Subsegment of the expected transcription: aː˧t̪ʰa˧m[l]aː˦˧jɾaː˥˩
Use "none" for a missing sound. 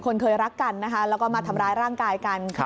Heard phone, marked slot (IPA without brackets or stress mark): ɾ